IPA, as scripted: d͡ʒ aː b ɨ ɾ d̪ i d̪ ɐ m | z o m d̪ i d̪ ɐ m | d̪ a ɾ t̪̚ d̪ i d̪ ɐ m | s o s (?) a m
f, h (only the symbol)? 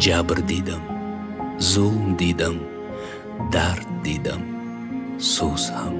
h